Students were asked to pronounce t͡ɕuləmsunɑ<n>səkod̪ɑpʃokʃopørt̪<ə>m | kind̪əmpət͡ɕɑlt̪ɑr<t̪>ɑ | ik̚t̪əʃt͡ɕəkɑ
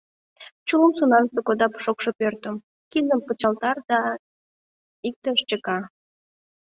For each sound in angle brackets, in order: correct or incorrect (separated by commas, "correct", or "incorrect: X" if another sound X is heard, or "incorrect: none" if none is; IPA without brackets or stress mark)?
correct, correct, incorrect: d̪